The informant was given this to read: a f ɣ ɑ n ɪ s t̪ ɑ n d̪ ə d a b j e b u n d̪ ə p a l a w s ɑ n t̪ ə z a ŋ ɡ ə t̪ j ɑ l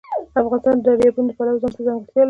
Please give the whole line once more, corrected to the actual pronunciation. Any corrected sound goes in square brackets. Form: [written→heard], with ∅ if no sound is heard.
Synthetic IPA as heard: a f ɣ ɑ n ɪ s t̪ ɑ n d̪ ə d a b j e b u n d̪ ə p a l a w [s→z] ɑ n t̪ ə z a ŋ ɡ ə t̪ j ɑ l